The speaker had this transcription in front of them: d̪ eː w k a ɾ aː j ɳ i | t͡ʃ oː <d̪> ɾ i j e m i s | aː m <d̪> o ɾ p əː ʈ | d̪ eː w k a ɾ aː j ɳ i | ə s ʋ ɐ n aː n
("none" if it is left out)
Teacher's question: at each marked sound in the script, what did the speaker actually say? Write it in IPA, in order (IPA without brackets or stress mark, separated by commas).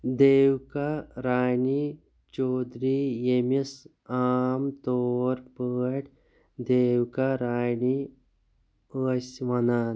d̪, t̪